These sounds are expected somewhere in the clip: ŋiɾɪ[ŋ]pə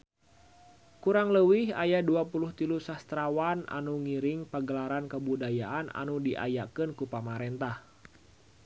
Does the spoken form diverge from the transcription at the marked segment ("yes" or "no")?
no